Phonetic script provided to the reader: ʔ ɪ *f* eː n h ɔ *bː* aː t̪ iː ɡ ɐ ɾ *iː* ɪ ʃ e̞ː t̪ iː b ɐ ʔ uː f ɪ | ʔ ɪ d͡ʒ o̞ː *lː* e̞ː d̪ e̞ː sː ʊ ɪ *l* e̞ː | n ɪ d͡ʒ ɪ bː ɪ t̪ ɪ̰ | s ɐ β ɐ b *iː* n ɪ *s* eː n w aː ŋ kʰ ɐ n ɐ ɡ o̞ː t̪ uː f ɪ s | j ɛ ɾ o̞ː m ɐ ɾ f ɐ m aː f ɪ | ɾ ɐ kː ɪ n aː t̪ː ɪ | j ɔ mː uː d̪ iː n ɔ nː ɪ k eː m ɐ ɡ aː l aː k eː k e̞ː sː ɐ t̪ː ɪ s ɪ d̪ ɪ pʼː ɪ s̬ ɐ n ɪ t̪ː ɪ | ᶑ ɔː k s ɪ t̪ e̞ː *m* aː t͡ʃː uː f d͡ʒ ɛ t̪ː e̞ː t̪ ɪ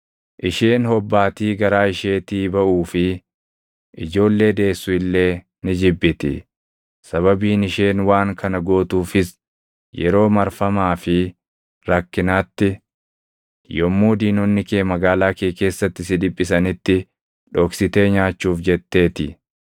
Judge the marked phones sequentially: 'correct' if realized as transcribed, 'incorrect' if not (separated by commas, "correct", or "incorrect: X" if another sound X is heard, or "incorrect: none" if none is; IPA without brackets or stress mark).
incorrect: ʃ, correct, incorrect: aː, correct, incorrect: lː, correct, incorrect: ʃ, incorrect: ɲ